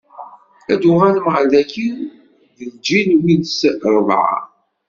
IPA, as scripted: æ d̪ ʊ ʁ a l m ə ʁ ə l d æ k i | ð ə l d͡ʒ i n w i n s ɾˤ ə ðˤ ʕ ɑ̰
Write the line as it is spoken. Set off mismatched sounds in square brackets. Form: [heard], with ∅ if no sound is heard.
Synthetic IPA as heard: æ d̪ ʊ ʁ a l m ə ʁ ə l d æ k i | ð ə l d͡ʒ i n w i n s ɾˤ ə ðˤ ʕ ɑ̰

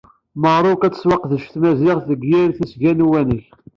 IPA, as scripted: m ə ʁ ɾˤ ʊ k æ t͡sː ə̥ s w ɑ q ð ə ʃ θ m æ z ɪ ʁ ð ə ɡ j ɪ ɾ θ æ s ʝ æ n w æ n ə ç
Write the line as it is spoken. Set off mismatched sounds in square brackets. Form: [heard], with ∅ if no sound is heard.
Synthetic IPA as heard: m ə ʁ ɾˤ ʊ k æ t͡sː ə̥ s w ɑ q ð ə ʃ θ m æ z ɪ ʁ [θ] ə ɡ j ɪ ɾ θ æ s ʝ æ n w æ n ə ç

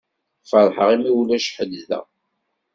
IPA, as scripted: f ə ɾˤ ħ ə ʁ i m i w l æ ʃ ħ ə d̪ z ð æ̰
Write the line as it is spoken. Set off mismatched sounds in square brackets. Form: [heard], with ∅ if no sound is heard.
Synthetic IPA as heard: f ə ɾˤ ħ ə ʁ i m i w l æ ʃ ħ ə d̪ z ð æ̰

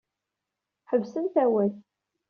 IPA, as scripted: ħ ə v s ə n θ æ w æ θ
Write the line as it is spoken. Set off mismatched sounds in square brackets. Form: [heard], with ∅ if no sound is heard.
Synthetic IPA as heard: ħ ə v s ə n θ æ w æ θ

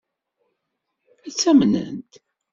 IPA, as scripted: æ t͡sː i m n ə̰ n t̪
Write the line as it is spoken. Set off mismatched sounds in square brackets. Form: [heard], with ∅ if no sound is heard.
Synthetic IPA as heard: æ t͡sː [æ] m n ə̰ n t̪

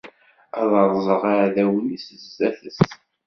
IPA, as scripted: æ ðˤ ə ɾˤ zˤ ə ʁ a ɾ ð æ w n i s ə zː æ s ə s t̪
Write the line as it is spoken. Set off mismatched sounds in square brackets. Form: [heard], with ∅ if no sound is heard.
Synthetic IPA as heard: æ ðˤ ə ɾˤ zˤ ə ʁ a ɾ ð æ w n i s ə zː æ [θ] ə s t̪

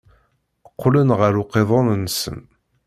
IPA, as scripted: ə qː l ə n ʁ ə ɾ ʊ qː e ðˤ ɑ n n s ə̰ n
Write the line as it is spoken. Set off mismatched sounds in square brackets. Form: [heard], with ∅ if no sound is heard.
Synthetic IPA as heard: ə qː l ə n ʁ ə ɾ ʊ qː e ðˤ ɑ n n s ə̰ n

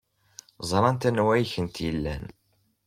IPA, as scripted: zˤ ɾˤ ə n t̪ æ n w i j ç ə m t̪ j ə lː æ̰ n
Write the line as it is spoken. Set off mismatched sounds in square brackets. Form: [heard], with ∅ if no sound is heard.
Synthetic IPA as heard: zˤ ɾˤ [ɑ] n t̪ æ n w [æ] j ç ə [n] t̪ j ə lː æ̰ n

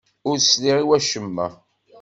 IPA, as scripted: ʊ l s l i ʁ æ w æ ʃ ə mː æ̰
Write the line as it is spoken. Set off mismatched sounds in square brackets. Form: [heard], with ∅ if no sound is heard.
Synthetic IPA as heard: ʊ [ɾ] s l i ʁ [i] w æ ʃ ə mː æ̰

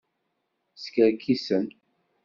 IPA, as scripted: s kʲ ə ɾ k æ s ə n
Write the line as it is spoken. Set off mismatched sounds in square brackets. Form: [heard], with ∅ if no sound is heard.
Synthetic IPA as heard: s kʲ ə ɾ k [i] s ə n

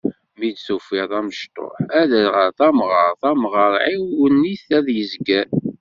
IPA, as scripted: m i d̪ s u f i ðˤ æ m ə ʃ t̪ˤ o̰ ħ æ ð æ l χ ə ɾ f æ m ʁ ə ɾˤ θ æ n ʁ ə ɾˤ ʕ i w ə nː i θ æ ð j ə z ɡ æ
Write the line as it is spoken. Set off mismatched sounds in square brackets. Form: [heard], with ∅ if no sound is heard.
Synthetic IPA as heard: m i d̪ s u f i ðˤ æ m ə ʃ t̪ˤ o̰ ħ æ ð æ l [ʁ] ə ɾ [θ] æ m ʁ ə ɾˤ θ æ [m] ʁ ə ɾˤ ʕ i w ə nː i θ æ ð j ə z ɡ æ

